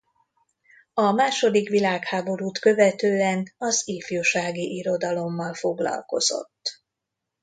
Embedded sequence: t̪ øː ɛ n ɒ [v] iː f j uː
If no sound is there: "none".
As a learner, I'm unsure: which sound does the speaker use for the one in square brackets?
z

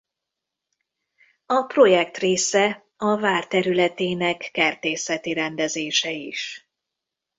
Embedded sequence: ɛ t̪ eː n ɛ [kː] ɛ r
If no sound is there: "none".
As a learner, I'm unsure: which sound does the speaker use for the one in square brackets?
kː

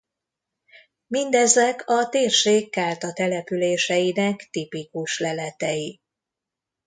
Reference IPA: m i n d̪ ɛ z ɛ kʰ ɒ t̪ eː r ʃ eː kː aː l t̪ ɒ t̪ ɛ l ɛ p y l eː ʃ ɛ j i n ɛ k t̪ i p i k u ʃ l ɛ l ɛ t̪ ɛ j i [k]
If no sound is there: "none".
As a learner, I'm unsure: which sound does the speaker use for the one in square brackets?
none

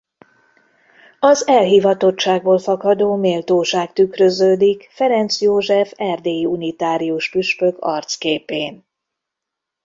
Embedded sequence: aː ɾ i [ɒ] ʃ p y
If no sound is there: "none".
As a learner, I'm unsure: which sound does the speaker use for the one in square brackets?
u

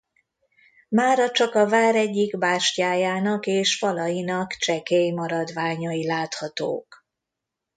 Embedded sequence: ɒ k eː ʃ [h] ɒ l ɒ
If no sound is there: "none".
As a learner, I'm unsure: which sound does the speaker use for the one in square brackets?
f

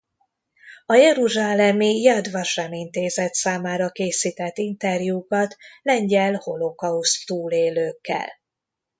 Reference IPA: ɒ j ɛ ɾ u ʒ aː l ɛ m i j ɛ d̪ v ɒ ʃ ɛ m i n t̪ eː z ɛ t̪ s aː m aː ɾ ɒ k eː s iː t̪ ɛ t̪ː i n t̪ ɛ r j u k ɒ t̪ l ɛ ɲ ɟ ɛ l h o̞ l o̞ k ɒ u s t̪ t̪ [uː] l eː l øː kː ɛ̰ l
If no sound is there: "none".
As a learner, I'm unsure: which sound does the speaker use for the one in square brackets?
uː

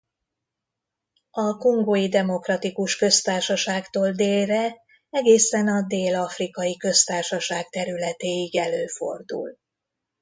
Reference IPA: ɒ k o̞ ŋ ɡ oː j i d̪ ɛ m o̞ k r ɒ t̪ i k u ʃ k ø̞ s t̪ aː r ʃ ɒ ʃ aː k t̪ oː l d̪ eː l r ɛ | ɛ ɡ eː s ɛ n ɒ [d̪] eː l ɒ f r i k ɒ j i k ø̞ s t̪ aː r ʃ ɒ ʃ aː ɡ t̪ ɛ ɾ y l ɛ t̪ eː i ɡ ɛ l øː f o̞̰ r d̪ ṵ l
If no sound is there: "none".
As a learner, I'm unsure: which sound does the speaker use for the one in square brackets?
d̪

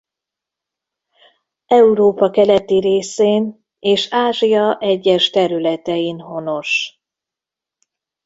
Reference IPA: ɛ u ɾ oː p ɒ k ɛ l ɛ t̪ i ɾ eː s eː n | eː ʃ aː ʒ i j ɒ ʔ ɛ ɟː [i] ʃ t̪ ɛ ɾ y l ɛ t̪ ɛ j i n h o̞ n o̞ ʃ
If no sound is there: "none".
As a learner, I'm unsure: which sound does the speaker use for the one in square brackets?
ɛ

